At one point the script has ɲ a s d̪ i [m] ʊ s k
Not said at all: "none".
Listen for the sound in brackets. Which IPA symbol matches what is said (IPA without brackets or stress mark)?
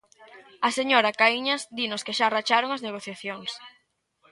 n